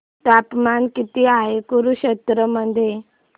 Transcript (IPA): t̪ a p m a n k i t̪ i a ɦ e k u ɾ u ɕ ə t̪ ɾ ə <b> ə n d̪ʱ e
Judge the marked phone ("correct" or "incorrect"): incorrect